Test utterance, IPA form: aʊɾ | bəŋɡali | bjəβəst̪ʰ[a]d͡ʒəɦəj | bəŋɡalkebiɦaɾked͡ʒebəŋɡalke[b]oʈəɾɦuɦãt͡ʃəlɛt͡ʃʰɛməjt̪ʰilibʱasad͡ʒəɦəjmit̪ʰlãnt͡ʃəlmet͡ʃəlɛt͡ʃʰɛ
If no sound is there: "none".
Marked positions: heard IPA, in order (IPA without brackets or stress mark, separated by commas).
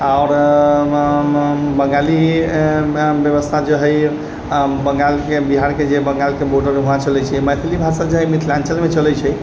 a, b